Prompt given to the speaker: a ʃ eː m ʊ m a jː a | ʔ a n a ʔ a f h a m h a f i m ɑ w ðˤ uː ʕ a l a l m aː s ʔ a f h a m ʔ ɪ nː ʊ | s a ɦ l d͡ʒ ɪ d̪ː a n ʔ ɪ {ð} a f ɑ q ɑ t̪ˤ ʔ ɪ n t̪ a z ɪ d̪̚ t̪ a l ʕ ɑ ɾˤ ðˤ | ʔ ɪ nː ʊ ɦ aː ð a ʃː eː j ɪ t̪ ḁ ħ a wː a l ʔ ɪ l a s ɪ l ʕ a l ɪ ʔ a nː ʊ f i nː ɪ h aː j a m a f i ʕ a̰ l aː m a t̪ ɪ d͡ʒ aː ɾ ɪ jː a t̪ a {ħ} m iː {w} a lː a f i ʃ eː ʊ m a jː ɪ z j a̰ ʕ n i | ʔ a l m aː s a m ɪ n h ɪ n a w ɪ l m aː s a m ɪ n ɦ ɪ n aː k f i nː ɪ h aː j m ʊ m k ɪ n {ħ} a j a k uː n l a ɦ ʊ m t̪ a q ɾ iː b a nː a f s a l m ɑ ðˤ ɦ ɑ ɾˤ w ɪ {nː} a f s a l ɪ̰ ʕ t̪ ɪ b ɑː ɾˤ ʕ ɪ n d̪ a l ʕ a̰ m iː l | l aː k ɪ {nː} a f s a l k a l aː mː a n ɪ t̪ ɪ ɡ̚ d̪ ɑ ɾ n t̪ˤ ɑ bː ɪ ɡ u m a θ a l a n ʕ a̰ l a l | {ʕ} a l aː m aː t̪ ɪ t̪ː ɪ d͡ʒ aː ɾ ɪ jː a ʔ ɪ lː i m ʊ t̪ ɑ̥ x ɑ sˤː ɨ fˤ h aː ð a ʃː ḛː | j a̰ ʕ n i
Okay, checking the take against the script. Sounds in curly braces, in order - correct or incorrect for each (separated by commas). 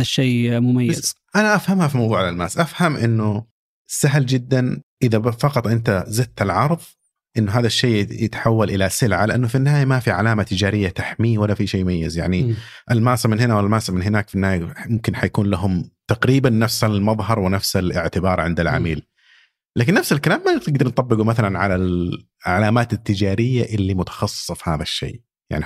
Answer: correct, correct, correct, correct, incorrect, correct, correct